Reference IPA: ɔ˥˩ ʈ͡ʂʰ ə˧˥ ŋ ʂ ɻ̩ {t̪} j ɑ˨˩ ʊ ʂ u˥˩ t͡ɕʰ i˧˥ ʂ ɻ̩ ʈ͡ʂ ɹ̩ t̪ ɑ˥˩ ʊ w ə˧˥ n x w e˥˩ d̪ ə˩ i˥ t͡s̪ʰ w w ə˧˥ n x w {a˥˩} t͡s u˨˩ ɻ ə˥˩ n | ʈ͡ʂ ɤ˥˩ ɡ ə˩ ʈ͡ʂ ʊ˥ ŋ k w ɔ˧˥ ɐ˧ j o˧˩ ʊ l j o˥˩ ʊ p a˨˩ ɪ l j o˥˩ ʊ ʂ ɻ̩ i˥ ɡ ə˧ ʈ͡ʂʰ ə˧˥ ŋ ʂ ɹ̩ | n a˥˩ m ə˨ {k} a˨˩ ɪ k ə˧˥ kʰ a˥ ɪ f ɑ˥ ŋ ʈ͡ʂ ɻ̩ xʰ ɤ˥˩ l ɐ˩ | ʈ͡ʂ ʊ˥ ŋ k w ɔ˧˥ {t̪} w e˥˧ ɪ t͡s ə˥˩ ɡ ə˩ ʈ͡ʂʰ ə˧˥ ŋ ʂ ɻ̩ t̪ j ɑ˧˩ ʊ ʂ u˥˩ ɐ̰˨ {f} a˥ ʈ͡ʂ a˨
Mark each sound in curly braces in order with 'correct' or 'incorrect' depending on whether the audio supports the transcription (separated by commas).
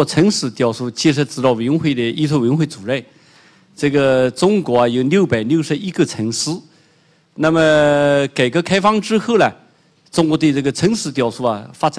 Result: correct, incorrect, correct, correct, correct